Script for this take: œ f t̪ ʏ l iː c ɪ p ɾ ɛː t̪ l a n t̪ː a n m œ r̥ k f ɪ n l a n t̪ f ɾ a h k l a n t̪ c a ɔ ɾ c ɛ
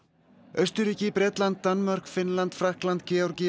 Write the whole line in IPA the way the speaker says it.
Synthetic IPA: œ s t̪ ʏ ɾ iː c ɪ p ɾ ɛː t̪ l a n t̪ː a n m œ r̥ k f ɪ n l a n t̪ f ɾ a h k l a n t̪ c ɛ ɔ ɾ c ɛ